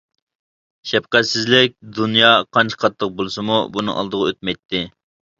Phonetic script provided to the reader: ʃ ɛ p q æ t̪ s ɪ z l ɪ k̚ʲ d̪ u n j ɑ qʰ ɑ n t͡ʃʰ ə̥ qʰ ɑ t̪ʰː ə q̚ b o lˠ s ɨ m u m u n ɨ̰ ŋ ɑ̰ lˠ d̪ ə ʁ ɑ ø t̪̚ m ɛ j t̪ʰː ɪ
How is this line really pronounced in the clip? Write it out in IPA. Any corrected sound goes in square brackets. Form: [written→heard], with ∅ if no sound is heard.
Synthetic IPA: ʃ ɛ p q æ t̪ s ɪ z l ɪ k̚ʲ d̪ u n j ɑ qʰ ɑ n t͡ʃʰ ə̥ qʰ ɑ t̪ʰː ə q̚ b o lˠ s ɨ m u [m→b] u n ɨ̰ ŋ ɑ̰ lˠ d̪ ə ʁ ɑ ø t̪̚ m ɛ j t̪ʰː ɪ